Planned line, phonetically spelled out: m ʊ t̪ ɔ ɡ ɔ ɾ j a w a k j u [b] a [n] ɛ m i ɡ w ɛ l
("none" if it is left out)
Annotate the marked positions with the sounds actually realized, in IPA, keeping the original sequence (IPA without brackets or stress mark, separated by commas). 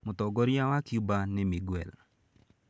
b, n